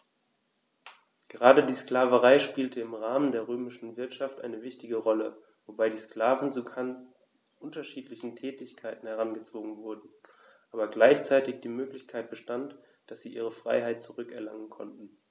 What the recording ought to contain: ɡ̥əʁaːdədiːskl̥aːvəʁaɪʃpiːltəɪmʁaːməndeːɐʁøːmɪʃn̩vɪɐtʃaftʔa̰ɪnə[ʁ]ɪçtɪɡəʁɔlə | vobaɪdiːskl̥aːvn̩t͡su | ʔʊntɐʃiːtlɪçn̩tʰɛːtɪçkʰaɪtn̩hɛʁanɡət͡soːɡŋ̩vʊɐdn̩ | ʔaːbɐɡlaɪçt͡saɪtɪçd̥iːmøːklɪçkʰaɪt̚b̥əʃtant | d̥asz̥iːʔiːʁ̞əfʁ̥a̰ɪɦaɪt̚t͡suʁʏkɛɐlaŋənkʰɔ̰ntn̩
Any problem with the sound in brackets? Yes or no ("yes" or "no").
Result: yes